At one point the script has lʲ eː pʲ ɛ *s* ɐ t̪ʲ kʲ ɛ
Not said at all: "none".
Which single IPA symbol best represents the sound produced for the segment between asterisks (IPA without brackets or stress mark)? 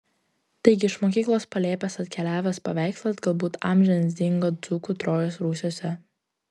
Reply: s